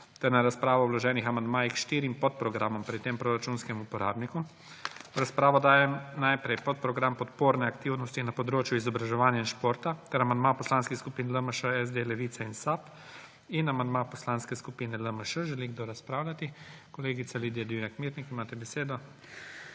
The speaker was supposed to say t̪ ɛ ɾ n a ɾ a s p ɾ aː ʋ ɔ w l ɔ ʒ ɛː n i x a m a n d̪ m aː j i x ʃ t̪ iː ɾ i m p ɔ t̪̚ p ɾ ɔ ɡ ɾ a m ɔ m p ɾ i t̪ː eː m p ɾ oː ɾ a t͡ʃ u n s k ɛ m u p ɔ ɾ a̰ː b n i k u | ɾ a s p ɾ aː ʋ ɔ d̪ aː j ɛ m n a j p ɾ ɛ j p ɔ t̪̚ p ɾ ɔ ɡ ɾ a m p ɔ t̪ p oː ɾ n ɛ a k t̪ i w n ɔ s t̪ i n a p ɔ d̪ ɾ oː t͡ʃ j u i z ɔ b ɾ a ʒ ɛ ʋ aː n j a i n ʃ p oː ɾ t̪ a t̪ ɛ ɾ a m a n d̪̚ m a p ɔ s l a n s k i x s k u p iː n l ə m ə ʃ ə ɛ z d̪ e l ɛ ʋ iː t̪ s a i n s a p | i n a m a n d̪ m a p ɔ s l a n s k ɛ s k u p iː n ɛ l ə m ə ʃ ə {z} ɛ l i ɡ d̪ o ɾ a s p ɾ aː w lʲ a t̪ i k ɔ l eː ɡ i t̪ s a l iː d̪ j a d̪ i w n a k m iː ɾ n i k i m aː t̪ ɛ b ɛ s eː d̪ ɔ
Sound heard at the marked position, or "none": ʒ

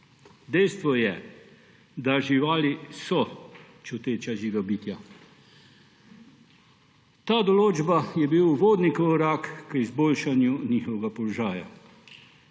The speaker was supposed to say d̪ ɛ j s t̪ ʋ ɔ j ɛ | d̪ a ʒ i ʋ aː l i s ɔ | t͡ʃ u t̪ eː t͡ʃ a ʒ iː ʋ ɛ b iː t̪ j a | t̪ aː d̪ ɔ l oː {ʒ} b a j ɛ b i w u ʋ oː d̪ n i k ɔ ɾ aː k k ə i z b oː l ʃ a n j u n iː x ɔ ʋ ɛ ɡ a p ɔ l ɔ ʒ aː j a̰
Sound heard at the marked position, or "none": d͡ʒ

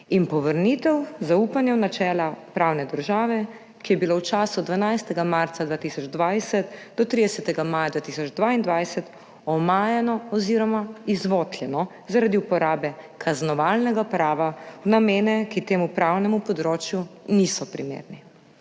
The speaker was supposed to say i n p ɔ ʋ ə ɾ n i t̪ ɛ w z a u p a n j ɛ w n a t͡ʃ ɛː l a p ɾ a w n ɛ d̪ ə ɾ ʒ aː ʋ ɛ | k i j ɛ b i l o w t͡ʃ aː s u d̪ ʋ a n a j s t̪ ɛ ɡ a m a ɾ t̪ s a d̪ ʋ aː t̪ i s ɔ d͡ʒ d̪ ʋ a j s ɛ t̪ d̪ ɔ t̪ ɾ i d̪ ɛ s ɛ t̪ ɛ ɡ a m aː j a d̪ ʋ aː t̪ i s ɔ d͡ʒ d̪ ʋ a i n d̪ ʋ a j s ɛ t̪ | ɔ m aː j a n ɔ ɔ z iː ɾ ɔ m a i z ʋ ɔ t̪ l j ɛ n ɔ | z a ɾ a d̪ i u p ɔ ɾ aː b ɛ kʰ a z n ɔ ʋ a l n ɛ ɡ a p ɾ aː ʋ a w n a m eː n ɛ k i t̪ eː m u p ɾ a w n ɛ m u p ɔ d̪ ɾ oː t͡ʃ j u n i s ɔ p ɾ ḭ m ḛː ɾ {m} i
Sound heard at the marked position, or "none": n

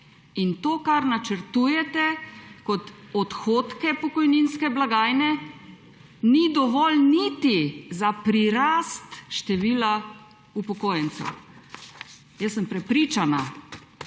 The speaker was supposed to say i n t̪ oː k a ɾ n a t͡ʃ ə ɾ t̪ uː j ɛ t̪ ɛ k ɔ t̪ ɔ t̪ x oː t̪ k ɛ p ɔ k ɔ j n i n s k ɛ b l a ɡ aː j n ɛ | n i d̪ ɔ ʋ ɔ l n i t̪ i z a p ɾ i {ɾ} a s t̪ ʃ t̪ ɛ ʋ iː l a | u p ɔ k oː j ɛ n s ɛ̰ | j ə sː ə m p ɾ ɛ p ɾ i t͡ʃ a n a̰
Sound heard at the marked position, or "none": ɾ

